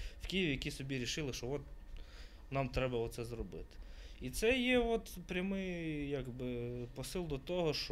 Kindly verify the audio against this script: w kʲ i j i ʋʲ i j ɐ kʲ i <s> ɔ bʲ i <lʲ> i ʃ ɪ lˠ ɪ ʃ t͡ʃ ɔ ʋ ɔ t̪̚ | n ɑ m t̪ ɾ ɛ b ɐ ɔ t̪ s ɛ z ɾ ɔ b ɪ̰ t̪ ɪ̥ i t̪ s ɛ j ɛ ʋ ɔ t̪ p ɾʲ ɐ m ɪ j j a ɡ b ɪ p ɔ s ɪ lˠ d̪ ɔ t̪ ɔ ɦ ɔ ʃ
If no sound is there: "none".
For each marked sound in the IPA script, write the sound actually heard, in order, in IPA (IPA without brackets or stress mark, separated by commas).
s, ɾʲ